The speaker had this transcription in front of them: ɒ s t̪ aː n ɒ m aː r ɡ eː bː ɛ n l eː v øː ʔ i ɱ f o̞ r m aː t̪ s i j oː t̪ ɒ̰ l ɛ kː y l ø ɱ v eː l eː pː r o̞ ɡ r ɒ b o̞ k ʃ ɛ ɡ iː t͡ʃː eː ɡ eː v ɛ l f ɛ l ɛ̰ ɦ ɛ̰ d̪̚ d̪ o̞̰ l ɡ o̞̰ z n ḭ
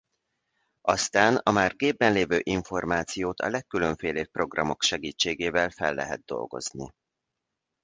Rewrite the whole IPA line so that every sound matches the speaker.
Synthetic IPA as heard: ɒ s t̪ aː n ɒ m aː r ɡ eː bː ɛ n l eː v øː ʔ i ɱ f o̞ r m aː t̪ s i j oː t̪ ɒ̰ l ɛ kː y l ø ɱ f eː l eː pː r o̞ ɡ r ɒ m o̞ k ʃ ɛ ɡ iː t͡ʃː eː ɡ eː v ɛ l f ɛ lː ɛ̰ ɦ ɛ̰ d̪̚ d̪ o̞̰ l ɡ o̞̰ z n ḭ